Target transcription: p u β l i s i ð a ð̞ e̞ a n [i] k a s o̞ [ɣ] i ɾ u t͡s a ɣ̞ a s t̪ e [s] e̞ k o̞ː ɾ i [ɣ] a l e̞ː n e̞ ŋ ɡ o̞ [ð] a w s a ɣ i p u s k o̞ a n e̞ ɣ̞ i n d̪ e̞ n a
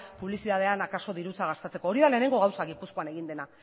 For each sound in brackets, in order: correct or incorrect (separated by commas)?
incorrect, incorrect, incorrect, incorrect, incorrect